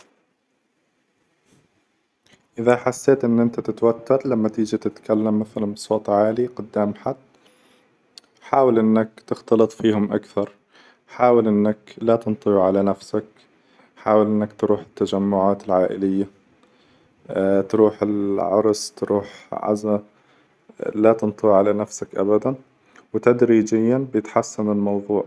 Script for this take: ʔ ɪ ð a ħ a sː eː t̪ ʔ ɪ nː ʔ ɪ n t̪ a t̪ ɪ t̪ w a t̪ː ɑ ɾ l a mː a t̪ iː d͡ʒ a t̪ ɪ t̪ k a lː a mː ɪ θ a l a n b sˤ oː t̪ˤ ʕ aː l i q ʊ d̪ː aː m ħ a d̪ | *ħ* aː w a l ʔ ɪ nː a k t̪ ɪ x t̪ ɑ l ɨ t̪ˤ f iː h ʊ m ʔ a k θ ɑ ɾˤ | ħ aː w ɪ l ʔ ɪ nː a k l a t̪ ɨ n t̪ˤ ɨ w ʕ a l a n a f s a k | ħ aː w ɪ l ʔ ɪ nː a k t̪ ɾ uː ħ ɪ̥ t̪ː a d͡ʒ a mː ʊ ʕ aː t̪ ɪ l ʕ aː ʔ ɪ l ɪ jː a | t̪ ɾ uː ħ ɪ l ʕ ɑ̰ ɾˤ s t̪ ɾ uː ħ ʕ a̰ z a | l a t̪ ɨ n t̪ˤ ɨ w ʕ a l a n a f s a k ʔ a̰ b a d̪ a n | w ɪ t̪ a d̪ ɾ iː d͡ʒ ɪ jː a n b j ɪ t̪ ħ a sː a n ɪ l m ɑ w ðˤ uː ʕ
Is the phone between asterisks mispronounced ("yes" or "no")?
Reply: no